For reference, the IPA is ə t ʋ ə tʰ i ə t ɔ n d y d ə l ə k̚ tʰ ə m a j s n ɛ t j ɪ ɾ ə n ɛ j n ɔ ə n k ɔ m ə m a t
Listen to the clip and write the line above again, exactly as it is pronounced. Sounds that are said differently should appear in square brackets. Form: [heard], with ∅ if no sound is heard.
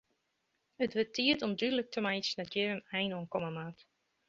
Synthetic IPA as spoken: ə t ʋ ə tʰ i ə t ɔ [m] d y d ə l ə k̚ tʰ ə m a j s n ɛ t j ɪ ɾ ə n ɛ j n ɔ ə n k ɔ m ə m a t

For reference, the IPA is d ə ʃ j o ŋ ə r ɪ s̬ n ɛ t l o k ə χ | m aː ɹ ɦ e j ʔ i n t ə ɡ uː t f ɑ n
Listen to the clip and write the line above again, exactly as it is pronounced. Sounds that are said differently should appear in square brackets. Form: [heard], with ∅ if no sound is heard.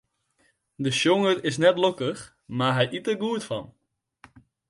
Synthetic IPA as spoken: d ə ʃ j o ŋ ə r ɪ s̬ n ɛ t l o k ə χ | m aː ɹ ɦ [ɛ] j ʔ i [∅] t ə ɡ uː t f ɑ n

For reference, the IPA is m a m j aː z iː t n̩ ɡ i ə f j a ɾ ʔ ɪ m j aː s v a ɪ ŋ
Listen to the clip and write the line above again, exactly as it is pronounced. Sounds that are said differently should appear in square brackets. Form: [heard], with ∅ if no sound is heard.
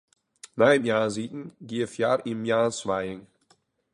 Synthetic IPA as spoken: [n] a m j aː z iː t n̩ ɡ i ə f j a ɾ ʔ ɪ m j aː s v a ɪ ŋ

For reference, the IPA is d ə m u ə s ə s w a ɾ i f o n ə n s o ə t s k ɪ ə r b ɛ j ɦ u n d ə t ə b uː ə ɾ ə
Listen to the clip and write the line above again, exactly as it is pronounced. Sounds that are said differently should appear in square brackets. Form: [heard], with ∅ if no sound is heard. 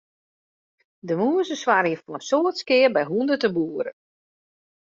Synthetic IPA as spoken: d ə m u ə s ə s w a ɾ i f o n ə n s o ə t s k ɪ ə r b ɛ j ɦ u n d ə t ə b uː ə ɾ ə

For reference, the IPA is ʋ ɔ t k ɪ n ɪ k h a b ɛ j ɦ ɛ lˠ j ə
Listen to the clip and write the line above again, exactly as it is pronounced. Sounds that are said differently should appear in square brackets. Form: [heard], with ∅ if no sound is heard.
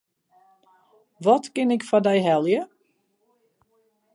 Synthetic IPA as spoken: ʋ ɔ t k ɪ n ɪ k [f] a [d] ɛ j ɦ ɛ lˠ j ə

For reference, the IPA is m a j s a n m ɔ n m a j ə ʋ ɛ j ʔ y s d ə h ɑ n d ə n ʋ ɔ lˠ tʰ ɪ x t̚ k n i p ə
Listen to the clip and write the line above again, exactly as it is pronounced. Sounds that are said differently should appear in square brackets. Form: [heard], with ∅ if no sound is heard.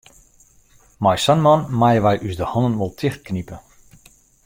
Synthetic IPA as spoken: m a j s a n m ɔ n m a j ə ʋ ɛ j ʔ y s d ə h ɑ n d ə n ʋ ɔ lˠ tʰ ɪ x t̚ k n i p ə

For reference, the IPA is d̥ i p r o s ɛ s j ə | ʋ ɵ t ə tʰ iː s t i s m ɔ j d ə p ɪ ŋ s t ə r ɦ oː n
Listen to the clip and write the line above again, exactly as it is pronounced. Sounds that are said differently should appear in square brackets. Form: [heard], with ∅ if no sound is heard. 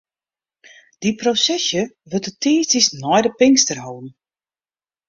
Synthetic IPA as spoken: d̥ i p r o s ɛ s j ə | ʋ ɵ t ə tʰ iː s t i s [n] ɔ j d ə p ɪ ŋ s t ə r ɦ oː n

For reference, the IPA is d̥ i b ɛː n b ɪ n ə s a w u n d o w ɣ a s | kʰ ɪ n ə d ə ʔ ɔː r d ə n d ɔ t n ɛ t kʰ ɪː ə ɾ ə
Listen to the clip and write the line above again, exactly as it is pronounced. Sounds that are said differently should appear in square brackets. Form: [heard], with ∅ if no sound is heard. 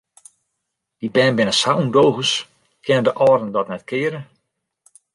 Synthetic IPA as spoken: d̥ i b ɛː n b ɪ n ə s a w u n d o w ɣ [ə] s | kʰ ɪ n ə d ə ʔ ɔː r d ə n d ɔ t n ɛ t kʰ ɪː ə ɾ ə

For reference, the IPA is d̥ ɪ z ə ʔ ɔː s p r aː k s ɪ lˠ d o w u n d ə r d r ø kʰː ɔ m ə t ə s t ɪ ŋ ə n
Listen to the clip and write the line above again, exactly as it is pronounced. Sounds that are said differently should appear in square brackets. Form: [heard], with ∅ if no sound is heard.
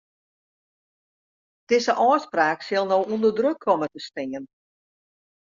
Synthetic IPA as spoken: d̥ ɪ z ə ʔ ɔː s p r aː k s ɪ lˠ [n] o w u n d ə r d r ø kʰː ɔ m ə t ə s t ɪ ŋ ə n

